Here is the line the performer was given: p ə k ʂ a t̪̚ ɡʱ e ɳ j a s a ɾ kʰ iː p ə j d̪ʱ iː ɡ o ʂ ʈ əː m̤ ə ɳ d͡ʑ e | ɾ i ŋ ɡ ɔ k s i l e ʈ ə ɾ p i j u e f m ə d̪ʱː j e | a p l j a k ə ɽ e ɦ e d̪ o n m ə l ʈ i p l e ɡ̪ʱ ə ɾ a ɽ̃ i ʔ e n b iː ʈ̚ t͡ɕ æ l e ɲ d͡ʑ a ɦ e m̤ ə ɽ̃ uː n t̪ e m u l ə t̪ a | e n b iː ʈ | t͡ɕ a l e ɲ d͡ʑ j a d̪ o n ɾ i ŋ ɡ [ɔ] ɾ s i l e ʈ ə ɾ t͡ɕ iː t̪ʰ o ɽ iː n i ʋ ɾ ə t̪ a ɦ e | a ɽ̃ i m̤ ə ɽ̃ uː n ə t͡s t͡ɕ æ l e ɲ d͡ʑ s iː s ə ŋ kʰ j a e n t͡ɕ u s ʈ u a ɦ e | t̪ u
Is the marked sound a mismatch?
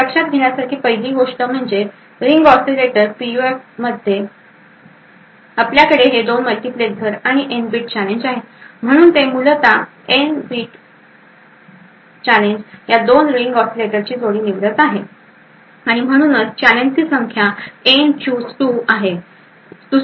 no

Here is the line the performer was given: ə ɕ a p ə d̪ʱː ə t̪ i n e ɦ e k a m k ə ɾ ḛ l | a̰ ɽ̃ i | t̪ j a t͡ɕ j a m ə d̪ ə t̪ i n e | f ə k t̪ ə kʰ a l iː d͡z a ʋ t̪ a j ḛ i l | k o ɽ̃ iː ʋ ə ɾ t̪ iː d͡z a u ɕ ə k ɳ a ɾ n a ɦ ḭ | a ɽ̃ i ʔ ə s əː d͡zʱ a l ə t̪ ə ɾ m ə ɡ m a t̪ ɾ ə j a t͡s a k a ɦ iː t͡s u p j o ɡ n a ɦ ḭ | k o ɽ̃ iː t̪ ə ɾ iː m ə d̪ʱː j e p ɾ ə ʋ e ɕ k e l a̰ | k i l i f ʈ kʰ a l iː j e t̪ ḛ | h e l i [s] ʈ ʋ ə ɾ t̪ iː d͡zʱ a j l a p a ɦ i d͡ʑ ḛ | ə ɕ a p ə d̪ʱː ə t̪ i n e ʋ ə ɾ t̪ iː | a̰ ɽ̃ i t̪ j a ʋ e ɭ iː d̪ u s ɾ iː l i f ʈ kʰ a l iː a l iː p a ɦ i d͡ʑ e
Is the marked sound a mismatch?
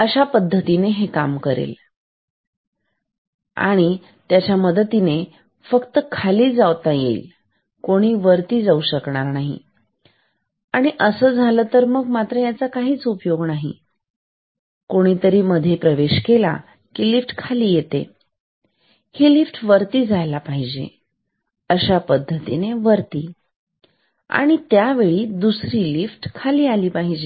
yes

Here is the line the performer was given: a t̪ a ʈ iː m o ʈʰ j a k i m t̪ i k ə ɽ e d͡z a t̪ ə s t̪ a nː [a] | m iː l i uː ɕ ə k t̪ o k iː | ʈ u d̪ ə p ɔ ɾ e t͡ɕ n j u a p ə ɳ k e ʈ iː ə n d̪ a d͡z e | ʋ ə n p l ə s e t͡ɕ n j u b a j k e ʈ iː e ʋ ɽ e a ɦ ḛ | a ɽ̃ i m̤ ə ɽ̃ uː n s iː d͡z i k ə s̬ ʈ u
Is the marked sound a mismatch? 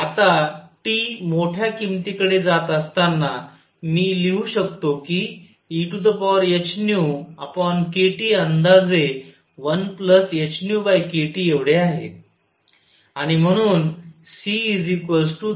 no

